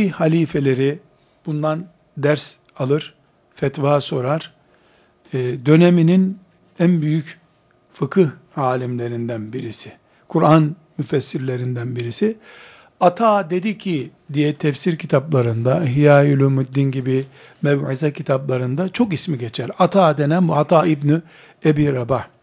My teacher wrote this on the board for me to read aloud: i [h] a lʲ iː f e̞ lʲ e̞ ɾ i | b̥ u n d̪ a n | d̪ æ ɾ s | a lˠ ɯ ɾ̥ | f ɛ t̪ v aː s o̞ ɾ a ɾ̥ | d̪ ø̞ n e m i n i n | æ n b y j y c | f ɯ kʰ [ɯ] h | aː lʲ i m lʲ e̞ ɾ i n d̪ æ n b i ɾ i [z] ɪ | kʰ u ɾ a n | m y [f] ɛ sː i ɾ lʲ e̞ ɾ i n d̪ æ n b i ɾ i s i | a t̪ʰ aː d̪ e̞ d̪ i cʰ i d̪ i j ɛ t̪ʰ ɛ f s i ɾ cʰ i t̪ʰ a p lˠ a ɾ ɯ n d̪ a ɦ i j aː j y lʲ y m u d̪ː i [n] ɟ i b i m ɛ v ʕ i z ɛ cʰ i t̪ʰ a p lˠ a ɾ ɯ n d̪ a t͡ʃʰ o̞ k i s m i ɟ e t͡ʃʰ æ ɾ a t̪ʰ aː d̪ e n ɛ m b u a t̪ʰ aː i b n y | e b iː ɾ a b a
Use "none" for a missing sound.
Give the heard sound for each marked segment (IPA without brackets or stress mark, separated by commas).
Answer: h, ɯ, s, f, n